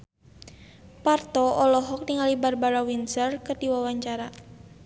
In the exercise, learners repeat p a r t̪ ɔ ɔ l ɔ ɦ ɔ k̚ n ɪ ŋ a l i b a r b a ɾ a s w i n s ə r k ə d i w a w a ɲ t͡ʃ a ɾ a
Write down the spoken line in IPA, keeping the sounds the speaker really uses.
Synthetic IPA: p a r t̪ ɔ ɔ l ɔ ɦ ɔ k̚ n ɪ ŋ a l i b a r b a ɾ a w i n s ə r k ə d i w a w a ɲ t͡ʃ a ɾ a